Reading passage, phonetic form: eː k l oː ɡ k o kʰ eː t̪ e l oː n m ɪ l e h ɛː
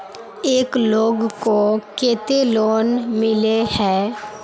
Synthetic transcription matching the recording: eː k l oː ɡ k o k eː t̪ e l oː n m ɪ l e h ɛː

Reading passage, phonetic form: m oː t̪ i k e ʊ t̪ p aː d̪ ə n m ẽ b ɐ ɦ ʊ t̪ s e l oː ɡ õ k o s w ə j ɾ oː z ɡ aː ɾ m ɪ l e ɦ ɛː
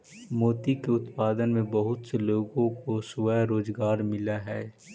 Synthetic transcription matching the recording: m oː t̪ i k e ʊ t̪ p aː d̪ ə n m ẽ b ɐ ɦ ʊ t̪ s e l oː ɡ õ k o s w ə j ɾ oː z ɡ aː ɾ m ɪ l a ɦ ɛː

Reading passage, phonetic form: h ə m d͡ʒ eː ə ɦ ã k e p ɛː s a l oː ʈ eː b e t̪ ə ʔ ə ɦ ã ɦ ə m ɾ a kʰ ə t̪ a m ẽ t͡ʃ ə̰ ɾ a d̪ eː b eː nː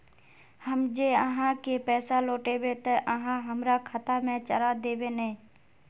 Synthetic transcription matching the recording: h ə m d͡ʒ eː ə ɦ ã k e p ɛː s a l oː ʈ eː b e t̪ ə ʔ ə ɦ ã ɦ ə m ɾ a kʰ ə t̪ a m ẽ t͡ʃ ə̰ ɾ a d̪ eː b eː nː

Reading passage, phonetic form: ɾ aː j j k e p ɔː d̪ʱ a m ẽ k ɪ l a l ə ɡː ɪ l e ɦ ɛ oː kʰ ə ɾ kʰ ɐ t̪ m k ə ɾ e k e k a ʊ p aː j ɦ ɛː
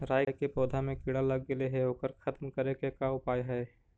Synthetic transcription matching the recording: ɾ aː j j k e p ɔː d̪ʱ a m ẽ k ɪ ɽ a l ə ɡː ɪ l e ɦ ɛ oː k ə ɾ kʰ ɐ t̪ m k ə ɾ e k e k a ʊ p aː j ɦ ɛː

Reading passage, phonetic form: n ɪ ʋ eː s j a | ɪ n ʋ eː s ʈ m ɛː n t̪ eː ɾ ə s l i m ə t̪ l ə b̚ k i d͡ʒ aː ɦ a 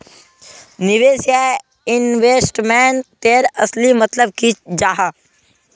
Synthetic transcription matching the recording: n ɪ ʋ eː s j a | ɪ n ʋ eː s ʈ m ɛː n t̪ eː ɾ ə s l i m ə t̪ l ə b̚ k i d͡ʒ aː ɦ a

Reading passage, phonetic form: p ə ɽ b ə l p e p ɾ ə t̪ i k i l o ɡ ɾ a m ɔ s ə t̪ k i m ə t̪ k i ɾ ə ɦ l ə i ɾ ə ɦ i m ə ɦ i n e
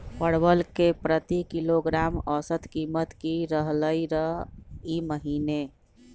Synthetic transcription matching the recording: p ə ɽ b ə l k e p ɾ ə t̪ i k i l o ɡ ɾ a m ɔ s ə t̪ k i m ə t̪ k i ɾ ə ɦ l ə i ɾ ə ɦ i m ə ɦ i n e

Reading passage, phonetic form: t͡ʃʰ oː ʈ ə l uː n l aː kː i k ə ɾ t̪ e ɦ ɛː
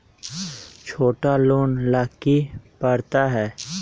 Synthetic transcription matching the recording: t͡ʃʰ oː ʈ a l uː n l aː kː i p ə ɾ t̪ a ɦ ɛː

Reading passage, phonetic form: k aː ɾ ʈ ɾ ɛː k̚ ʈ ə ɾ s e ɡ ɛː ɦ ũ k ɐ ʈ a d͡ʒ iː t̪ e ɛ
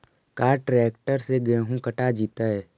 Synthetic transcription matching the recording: k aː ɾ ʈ ɾ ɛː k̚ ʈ ə ɾ s e ɡ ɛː ɦ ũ k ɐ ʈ a d͡ʒ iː t̪ a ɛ

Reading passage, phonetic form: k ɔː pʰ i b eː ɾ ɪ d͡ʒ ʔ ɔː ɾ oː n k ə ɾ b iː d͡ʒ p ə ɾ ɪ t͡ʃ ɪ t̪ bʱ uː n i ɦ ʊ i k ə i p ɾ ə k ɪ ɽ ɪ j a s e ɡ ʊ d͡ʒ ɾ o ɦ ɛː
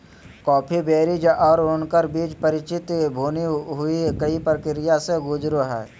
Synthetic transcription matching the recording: k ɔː pʰ i b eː ɾ i d͡ʒ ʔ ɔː ɾ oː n k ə ɾ b iː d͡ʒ p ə ɾ ɪ t͡ʃ ɪ t̪ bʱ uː n i ɦ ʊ i k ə i p ɾ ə k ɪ ɾ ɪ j a s e ɡ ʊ d͡ʒ ɾ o ɦ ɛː

